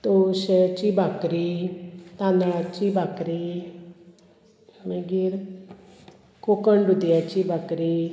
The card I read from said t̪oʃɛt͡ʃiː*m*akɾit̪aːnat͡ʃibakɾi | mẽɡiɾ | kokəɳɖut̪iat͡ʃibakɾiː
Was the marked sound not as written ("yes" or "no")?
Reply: yes